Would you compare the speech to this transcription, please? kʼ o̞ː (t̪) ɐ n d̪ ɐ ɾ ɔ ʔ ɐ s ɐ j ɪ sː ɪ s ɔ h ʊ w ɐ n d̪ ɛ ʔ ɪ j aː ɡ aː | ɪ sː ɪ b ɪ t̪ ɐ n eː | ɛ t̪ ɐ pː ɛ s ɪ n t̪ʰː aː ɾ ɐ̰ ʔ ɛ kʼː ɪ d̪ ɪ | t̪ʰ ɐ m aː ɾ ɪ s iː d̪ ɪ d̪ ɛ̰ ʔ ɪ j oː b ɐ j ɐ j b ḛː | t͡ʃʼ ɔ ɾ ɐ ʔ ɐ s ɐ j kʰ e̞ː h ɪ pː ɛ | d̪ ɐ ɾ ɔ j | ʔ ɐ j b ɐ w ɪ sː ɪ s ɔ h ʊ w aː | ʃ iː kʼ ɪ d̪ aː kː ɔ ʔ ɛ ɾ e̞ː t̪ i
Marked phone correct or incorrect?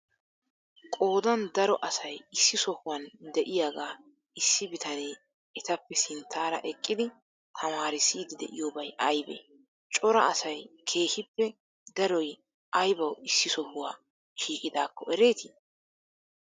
incorrect